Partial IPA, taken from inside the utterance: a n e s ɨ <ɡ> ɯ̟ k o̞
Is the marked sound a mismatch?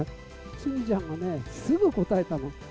no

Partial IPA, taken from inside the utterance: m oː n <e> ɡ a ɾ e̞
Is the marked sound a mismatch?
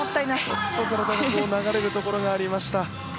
yes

